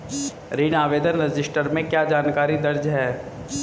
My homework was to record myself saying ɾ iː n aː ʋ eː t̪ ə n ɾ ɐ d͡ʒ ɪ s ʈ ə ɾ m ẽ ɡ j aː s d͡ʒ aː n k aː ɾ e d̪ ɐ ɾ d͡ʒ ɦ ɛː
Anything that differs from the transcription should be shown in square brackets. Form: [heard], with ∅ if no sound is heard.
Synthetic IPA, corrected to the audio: ɾ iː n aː ʋ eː [d̪] ə n ɾ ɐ d͡ʒ ɪ s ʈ ə ɾ m ẽ [k] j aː [∅] d͡ʒ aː n k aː ɾ [i] d̪ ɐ ɾ d͡ʒ ɦ ɛː